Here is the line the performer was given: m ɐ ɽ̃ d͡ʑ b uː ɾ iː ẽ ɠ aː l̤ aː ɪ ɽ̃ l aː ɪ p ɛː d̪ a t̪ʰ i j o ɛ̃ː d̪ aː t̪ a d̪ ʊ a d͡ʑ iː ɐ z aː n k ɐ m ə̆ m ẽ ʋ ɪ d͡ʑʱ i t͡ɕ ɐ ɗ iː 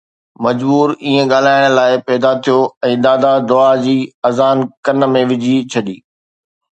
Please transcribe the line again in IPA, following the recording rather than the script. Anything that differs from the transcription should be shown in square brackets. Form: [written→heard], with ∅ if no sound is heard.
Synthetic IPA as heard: m ɐ [ɽ̃→∅] d͡ʑ b uː ɾ iː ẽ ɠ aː l̤ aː ɪ ɽ̃ l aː ɪ p ɛː d̪ a t̪ʰ i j o ɛ̃ː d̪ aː [t̪→d̪] a d̪ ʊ a d͡ʑ iː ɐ z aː n k ɐ [m→n] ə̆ m ẽ ʋ ɪ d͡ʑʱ i [t͡ɕ→t͡ɕʰ] ɐ ɗ iː